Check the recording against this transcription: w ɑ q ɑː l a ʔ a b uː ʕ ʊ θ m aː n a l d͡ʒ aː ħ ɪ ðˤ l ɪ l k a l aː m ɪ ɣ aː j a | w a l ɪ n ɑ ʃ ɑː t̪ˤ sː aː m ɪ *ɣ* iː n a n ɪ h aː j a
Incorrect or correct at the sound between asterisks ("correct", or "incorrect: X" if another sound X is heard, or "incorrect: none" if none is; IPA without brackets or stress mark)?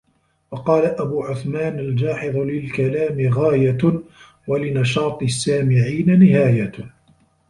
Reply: incorrect: ʕ